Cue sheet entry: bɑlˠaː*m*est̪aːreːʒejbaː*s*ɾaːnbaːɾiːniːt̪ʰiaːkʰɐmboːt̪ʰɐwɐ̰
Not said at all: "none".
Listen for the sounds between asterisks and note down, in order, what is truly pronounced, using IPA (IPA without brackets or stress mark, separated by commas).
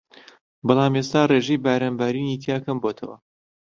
m, none